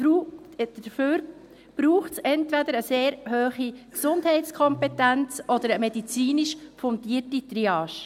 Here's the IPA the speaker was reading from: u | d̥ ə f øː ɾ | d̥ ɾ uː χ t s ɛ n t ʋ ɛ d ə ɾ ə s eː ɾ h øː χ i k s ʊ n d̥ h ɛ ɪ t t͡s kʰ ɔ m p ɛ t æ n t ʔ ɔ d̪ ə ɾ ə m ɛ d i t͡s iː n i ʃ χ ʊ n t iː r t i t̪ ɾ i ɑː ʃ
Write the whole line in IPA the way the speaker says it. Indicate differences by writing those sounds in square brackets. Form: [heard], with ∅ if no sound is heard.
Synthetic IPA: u | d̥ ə f øː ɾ | [b̥] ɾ uː χ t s ɛ n t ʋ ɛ d ə ɾ ə s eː ɾ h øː χ i k s ʊ n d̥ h ɛ ɪ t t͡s kʰ ɔ m p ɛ t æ n [t͡s] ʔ ɔ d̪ ə ɾ ə m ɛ d i t͡s iː n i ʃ [f] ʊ n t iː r t i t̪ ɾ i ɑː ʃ